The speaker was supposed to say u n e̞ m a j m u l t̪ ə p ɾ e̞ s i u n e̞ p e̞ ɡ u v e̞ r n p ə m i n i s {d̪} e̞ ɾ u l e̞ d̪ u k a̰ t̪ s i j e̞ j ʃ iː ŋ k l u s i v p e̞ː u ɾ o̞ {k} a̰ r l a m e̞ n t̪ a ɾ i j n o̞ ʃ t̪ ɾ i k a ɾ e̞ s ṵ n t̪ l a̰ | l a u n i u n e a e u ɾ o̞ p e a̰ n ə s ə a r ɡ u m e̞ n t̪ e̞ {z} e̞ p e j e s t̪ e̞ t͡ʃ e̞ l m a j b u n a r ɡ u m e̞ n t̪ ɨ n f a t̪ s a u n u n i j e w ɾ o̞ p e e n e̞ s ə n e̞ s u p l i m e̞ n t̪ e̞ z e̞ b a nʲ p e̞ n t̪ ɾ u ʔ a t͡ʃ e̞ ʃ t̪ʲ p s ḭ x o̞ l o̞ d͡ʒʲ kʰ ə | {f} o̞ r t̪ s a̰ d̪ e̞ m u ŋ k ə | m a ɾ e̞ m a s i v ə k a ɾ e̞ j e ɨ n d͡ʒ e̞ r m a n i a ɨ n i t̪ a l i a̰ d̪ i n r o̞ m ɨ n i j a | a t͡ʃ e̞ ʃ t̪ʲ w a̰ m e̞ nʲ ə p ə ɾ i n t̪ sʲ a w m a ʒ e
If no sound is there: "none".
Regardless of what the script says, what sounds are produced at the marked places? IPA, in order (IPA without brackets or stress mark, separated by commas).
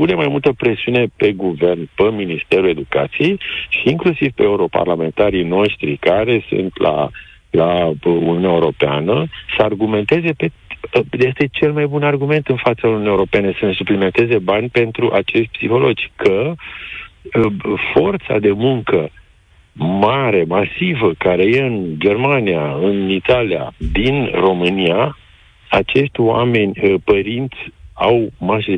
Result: t̪, p, z, f